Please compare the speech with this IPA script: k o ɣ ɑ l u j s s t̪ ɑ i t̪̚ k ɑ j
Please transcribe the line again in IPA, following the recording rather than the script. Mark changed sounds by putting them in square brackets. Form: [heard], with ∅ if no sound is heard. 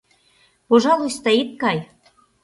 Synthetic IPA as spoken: [p] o [ʒ] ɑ l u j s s t̪ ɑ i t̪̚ k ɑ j